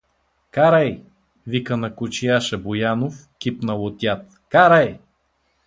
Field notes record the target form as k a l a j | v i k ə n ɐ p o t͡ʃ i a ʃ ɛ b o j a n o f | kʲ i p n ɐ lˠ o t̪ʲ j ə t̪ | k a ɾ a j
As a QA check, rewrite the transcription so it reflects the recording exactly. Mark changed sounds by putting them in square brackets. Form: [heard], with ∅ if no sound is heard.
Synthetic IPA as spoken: k a [ɾ] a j | v i k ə n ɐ [k] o t͡ʃ i a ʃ ɛ b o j a n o f | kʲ i p n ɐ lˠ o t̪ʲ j [a] t̪ | k a ɾ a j